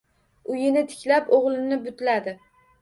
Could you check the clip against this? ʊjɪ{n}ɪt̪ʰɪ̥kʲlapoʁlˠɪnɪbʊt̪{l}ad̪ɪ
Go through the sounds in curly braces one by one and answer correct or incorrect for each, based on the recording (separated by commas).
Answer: correct, correct